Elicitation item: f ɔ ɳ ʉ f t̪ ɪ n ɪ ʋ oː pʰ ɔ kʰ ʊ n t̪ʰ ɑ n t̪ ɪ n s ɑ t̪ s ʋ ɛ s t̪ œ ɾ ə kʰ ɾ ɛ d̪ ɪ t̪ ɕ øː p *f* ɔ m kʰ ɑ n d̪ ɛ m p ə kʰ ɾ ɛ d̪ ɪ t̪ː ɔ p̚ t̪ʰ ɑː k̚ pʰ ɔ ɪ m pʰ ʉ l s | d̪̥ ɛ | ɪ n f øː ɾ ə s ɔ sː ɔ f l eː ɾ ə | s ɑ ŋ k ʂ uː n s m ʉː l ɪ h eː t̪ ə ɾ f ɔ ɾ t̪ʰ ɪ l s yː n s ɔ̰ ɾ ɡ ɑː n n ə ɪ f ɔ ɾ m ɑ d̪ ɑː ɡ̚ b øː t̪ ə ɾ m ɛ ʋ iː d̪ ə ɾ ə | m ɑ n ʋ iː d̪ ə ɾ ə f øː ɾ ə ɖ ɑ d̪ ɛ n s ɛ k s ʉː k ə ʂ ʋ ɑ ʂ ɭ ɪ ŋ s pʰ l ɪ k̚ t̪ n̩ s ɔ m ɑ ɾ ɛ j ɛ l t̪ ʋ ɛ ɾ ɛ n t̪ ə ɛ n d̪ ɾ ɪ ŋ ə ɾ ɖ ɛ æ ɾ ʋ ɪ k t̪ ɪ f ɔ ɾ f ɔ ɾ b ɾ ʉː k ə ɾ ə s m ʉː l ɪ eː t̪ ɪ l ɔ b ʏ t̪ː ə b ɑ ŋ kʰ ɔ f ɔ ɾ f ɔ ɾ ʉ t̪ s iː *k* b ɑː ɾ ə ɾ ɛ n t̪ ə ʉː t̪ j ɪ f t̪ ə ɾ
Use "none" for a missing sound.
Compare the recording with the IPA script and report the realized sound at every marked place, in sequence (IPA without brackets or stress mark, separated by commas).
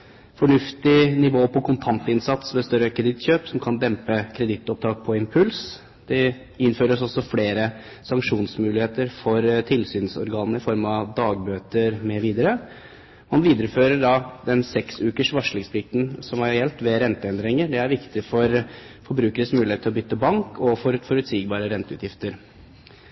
s, ɡ